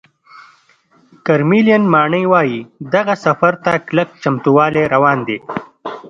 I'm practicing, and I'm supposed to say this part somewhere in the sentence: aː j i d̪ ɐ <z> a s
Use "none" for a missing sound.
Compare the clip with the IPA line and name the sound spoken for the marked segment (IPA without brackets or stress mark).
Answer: ɣ